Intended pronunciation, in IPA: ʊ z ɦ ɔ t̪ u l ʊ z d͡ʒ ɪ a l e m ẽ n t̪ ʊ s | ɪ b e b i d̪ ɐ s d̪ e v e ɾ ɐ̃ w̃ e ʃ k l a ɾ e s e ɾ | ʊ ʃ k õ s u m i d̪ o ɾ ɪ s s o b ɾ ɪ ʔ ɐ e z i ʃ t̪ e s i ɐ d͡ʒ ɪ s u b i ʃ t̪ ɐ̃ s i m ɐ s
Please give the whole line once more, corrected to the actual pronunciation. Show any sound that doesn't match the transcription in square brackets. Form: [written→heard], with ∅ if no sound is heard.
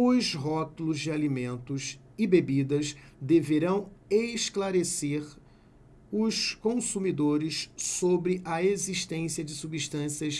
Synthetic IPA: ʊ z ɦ ɔ t̪ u l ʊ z d͡ʒ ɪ a l [e→i] m ẽ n t̪ ʊ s | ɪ b e b i d̪ ɐ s d̪ e v e ɾ ɐ̃ w̃ e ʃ k l a ɾ e s e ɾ | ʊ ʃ k õ s u m i d̪ o ɾ ɪ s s o b ɾ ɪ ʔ ɐ e z i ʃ t̪ [e→ẽ] s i ɐ d͡ʒ ɪ s u b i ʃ t̪ ɐ̃ s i [m→∅] ɐ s